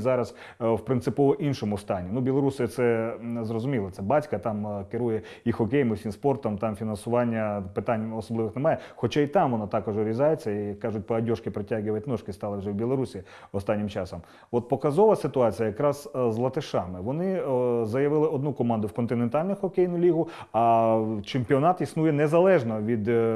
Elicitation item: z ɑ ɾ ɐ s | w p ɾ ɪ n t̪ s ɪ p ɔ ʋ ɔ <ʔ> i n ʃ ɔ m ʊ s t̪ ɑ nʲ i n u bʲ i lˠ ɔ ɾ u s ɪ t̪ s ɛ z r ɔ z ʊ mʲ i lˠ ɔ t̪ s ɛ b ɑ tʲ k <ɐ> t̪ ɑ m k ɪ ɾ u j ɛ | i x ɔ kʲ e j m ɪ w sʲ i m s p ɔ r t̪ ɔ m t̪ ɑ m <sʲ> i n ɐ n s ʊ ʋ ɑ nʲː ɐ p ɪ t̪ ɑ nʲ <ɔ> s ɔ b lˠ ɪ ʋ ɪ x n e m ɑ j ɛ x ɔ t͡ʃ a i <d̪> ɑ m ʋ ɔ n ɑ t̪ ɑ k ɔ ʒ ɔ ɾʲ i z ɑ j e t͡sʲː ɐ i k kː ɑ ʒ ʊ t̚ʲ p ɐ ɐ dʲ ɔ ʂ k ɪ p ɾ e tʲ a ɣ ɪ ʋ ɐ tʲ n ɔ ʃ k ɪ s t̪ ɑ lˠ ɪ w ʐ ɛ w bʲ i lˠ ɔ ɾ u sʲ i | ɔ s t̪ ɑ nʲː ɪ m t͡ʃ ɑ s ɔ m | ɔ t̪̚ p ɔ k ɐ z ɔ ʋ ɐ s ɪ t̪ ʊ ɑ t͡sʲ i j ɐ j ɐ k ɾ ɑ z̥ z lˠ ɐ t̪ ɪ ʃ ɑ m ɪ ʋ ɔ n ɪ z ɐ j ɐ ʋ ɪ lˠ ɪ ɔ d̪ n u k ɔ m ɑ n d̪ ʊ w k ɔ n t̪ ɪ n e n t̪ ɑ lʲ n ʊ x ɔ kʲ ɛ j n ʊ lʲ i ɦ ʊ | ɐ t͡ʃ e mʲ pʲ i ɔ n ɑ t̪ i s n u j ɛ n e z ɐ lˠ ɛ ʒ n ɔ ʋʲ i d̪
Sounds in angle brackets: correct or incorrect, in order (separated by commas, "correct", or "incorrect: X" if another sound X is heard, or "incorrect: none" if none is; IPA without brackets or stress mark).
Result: correct, correct, incorrect: fʲ, correct, incorrect: t̪